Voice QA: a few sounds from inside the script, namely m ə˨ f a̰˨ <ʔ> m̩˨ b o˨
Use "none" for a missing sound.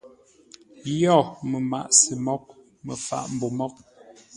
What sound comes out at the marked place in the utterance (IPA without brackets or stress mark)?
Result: ʔ